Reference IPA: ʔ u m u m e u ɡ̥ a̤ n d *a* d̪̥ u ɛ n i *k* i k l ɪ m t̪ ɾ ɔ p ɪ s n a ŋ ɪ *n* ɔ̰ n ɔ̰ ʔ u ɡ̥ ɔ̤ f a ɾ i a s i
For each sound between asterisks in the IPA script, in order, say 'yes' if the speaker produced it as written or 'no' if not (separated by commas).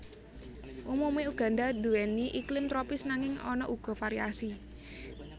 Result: yes, no, no